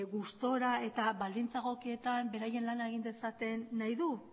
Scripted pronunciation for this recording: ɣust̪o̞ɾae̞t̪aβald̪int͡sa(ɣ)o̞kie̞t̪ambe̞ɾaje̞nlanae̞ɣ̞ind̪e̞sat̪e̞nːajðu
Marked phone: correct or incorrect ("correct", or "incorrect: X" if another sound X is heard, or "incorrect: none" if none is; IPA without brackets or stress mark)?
correct